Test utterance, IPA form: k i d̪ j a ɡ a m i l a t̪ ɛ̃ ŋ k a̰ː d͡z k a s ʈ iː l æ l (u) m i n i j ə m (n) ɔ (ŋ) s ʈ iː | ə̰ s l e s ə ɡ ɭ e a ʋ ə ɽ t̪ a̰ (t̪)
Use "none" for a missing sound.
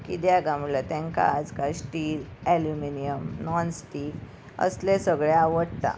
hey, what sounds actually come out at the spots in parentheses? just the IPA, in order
u, n, n, none

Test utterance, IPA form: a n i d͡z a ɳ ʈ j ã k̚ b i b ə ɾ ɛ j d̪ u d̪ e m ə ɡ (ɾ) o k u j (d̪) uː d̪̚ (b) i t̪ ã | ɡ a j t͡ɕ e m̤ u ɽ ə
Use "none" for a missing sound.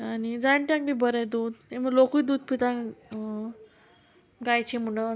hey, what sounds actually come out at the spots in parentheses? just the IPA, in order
l, d̪, p

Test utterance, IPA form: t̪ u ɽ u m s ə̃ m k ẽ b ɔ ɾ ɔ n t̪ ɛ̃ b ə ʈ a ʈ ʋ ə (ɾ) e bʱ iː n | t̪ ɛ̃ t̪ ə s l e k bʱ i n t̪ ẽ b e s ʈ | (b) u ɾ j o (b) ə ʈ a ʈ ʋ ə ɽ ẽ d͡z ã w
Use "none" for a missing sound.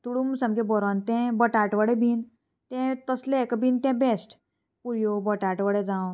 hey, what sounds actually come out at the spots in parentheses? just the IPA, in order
ɽ, p, b

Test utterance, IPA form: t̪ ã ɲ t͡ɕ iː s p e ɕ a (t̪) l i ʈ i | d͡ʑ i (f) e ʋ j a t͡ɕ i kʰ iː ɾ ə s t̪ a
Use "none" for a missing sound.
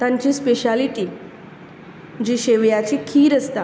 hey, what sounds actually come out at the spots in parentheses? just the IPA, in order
none, ɕ

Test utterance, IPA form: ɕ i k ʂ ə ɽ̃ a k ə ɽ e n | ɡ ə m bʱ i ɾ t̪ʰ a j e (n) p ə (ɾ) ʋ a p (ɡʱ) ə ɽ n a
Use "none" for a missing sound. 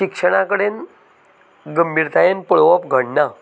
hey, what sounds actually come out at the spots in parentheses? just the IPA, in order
n, ɭ, ɡʱ

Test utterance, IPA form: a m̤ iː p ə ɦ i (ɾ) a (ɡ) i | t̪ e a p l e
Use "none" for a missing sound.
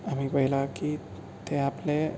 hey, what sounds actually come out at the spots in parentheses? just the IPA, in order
l, k

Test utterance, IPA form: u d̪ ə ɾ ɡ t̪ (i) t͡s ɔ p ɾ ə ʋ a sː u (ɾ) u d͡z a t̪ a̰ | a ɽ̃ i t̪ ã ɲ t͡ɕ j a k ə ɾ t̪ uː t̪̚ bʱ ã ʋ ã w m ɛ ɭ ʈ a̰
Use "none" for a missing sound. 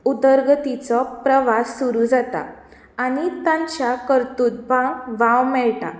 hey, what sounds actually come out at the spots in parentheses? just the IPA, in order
i, ɾ

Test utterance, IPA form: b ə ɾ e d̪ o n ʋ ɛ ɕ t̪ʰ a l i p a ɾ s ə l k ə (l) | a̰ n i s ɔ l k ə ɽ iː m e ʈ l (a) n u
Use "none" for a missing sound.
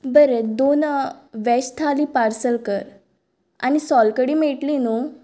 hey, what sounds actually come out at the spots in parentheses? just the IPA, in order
ɾ, i

